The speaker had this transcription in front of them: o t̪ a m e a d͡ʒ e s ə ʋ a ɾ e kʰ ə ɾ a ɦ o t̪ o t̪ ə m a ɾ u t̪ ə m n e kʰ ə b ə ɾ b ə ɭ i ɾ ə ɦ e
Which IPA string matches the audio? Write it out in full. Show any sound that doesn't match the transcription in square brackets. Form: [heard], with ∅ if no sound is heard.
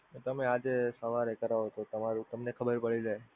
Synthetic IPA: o t̪ [ə] m e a d͡ʒ e s ə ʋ a ɾ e [k] ə ɾ a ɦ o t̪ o t̪ ə m a ɾ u t̪ ə m n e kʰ ə b ə ɾ [p] ə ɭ i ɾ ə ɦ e